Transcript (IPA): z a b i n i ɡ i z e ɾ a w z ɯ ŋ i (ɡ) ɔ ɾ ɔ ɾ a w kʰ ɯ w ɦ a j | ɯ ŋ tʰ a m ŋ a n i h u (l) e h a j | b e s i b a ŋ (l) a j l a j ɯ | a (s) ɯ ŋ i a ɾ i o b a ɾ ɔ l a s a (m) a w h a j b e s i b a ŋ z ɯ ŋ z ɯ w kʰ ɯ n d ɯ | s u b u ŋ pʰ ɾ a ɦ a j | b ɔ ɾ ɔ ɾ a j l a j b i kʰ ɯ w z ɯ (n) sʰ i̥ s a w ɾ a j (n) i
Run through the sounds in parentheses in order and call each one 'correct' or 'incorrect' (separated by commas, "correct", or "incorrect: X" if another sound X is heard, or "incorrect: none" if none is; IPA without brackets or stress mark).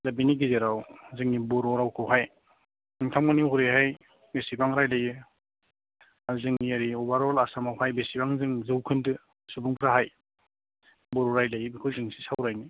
incorrect: b, incorrect: ɾ, incorrect: ɾ, incorrect: z, correct, incorrect: ŋ, correct